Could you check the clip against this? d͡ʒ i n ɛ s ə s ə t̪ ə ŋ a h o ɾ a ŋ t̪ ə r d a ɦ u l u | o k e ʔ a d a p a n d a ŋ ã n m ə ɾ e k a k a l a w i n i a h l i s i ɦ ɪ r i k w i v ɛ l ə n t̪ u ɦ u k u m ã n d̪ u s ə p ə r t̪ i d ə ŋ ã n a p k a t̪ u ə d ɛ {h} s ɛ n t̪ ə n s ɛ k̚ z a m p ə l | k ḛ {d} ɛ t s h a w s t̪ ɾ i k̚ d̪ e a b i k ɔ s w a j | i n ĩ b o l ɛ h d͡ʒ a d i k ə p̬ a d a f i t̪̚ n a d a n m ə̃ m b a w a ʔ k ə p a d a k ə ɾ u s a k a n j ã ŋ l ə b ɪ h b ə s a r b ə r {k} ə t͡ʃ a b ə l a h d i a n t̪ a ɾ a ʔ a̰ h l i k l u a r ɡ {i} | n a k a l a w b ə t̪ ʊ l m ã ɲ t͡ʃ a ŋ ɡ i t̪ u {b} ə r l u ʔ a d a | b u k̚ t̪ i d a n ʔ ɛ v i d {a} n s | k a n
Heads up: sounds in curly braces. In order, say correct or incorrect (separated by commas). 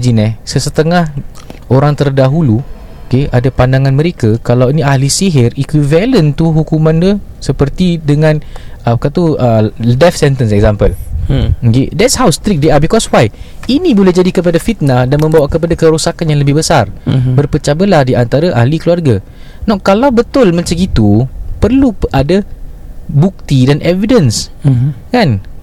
incorrect, correct, incorrect, incorrect, incorrect, incorrect